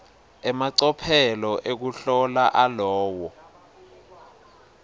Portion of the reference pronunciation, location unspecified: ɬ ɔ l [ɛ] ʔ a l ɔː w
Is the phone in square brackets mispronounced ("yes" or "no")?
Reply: yes